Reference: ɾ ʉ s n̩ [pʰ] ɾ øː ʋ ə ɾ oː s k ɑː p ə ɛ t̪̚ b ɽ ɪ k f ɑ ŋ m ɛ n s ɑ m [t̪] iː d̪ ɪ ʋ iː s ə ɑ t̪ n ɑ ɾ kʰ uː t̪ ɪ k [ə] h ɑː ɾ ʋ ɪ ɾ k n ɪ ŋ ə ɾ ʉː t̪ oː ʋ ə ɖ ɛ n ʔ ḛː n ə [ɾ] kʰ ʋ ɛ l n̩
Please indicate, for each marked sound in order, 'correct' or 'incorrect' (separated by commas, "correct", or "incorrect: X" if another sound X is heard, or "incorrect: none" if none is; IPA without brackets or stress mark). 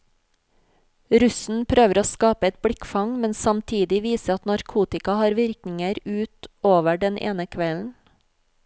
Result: correct, incorrect: t̪ʰ, incorrect: ɑ, incorrect: none